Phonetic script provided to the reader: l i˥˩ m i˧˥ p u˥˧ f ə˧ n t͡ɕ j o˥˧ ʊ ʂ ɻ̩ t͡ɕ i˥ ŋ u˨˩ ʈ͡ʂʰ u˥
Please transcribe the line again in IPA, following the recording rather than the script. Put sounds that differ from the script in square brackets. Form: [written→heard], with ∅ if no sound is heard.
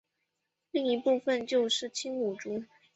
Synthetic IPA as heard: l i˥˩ [m→ŋ] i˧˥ p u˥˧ f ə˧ n t͡ɕ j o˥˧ ʊ ʂ ɻ̩ [t͡ɕ→t͡ɕʰ] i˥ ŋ u˨˩ [ʈ͡ʂʰ→ʈ͡ʂ] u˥